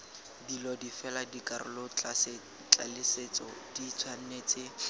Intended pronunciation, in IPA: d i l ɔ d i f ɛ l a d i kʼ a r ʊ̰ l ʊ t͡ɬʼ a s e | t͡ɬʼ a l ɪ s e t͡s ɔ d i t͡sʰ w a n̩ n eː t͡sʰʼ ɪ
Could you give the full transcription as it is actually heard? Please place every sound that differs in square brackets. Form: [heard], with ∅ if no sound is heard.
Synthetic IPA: d i l ɔ d i f ɛ l a d i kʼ a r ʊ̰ l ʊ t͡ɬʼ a s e | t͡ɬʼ a l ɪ s e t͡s ɔ d i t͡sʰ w a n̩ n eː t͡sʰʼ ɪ